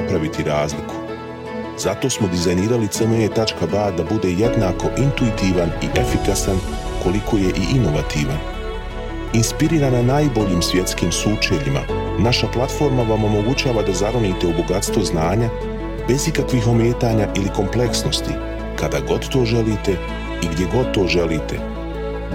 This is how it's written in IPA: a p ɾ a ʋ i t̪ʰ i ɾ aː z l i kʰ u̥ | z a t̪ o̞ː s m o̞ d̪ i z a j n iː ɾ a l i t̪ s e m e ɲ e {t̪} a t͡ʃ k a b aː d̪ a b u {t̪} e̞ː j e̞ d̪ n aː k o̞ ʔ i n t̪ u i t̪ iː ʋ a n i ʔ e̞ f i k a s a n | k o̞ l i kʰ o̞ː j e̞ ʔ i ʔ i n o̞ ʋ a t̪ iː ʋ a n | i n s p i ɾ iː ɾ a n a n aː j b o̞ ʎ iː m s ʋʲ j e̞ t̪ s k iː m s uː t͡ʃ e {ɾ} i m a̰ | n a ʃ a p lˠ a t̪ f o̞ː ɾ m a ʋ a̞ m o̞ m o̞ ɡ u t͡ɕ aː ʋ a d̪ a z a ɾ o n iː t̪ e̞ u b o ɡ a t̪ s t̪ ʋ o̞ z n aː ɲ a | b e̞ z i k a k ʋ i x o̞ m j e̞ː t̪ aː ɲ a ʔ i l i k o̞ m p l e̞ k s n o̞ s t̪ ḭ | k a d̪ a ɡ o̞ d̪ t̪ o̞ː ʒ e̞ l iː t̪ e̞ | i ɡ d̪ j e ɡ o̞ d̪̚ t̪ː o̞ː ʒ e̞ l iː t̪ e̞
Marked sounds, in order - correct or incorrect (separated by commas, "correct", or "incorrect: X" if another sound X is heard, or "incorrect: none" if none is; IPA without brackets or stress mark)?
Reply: correct, incorrect: d̪, incorrect: ʎ